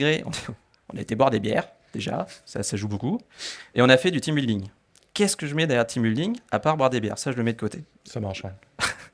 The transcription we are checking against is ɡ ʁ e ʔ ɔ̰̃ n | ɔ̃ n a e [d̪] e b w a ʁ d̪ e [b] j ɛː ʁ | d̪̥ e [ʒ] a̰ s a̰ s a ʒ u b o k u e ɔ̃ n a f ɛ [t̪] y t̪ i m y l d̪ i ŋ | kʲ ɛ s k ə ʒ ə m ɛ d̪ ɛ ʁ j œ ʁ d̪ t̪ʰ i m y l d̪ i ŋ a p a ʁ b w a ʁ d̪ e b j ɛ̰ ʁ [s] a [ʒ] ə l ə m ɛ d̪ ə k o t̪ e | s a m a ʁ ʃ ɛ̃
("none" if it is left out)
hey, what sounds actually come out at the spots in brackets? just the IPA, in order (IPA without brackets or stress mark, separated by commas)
t̪, b, ʒ, d̪, s, ʒ